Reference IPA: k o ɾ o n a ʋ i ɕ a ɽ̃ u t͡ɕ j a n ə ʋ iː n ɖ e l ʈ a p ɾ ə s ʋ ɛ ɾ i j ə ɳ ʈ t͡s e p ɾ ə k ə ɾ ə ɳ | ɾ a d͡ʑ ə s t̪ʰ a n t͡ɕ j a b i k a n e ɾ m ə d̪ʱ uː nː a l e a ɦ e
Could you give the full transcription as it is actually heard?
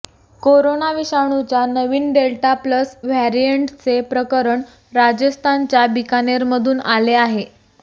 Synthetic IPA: k o ɾ o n a ʋ i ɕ a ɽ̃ u t͡ɕ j a n ə ʋ iː n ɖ e l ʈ a p l ə s ʋ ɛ ɾ i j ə ɳ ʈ t͡s e p ɾ ə k ə ɾ ə ɳ | ɾ a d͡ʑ ə s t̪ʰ a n t͡ɕ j a b i k a n e ɾ m ə d̪ʱ uː n a l e a ɦ e

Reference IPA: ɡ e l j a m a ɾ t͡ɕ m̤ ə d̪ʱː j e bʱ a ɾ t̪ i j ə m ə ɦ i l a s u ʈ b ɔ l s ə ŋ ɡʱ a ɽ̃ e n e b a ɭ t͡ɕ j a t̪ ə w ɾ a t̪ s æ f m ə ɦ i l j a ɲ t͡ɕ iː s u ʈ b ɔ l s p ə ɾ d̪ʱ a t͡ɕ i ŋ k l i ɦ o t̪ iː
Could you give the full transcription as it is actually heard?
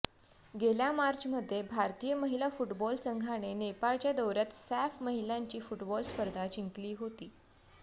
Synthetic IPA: ɡ e l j a m a ɾ t͡ɕ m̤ ə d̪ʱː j e bʱ a ɾ t̪ i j ə m ə ɦ i l a f u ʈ b ɔ l s ə ŋ ɡʱ a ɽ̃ e n e p a ɭ t͡ɕ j a d̪ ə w ɾ a t̪ s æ f m ə ɦ i l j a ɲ t͡ɕ iː f u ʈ b ɔ l s p ə ɾ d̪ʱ a t͡ɕ i ŋ k l iː ɦ o t̪ iː

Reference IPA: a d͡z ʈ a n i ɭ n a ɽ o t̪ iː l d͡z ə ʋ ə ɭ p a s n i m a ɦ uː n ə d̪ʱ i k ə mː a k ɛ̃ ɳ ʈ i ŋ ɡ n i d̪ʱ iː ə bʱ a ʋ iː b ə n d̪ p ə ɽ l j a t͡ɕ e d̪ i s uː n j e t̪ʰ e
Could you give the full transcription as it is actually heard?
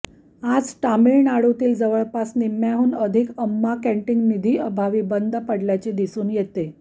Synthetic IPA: a d͡z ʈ a m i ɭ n a ɽ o t̪ iː l d͡z ə ʋ ə ɭ p a s n i m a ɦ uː n ə d̪ʱ i k ə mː a k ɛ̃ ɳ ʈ i ŋ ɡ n i d̪ʱ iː ə bʱ a ʋ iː b ə n d̪ p ə ɽ l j a t͡ɕ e d̪ i s uː n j e t̪ e

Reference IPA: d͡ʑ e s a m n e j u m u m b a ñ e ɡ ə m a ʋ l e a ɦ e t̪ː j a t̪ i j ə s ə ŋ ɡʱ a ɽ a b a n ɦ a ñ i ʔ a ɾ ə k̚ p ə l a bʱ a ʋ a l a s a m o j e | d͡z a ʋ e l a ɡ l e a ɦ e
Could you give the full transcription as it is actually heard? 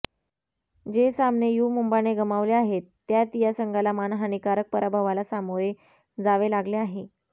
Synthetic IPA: d͡ʑ e s a m n e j u m u m b a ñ e ɡ ə m a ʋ l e a ɦ e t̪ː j a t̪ i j a s ə ŋ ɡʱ a l a m a n ɦ a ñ i k a ɾ ə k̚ p ə ɾ a bʱ a ʋ a l a s a m o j e | d͡z a ʋ e l a ɡ l e a ɦ e

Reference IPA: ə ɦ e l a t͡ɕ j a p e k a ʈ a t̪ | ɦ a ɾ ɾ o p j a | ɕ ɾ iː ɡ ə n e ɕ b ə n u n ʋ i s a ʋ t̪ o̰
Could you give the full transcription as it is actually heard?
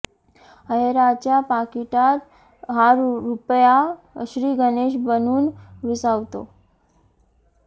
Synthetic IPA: ə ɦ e ɾ a t͡ɕ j a p a k i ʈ a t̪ | ɦ a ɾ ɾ u p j a | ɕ ɾ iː ɡ ə n e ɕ b ə n uː n ʋ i s a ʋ t̪ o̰

